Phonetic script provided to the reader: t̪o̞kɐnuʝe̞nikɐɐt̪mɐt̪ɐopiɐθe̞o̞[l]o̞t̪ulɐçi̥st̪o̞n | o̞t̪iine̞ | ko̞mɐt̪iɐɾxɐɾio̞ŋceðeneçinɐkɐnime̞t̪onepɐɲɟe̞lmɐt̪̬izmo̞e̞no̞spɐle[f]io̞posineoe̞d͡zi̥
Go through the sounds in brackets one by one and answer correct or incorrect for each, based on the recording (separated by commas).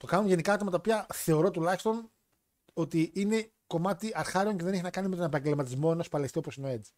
incorrect, incorrect